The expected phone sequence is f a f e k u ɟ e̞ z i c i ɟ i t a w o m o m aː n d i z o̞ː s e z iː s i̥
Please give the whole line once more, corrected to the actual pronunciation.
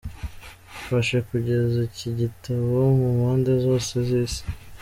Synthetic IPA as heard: f a ʃ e k u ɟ e̞ z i c i ɟ i t a β o m u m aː n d e z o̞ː s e z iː s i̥